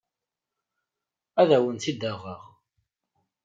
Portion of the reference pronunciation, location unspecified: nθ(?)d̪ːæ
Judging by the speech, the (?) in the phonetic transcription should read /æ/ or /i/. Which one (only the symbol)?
i